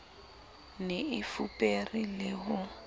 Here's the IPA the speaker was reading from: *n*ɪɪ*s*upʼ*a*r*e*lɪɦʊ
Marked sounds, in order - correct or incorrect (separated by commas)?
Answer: correct, incorrect, incorrect, incorrect